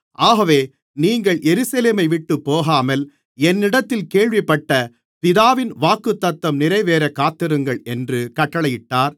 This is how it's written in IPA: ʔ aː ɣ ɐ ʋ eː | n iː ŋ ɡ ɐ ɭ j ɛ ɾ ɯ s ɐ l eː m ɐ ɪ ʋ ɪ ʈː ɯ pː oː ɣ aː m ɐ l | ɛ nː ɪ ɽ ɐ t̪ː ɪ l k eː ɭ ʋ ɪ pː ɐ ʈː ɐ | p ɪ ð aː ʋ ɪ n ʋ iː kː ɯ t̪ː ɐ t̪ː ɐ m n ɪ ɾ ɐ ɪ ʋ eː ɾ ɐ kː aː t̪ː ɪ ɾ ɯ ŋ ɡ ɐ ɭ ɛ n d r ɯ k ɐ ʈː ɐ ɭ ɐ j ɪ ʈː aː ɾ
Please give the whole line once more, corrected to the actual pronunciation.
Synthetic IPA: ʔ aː ɣ ɐ ʋ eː | n iː ŋ ɡ ɐ ɭ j ɛ ɾ ɯ s ɐ l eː m ɐ ɪ ʋ ɪ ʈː ɯ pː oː ɣ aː m ɐ l | ɛ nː ɪ ɽ ɐ t̪ː ɪ l k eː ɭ ʋ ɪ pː ɐ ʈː ɐ | p ɪ ð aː ʋ ɪ n ʋ aː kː ɯ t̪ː ɐ t̪ː ɐ m n ɪ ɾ ɐ ɪ ʋ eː ɾ ɐ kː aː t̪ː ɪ ɾ ɯ ŋ ɡ ɐ ɭ ɛ n d r ɯ k ɐ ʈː ɐ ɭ ɐ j ɪ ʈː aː ɾ